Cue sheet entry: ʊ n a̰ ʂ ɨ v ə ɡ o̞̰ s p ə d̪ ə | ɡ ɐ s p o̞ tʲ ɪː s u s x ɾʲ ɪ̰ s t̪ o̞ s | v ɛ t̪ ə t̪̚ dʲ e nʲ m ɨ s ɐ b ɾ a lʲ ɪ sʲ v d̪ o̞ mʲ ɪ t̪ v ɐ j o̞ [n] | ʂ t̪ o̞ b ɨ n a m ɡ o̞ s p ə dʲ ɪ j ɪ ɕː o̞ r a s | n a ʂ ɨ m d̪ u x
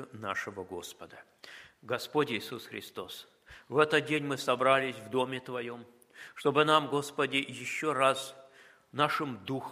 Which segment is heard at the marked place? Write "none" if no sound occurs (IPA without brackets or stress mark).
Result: m